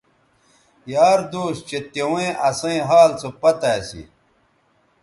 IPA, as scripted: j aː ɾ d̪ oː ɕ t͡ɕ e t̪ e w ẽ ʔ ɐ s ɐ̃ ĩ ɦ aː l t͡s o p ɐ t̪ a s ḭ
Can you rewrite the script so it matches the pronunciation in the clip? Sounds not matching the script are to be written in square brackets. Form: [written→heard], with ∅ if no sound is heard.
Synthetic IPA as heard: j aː ɾ d̪ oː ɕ t͡ɕ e t̪ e w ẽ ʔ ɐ s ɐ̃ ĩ ɦ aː l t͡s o p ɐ t̪ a s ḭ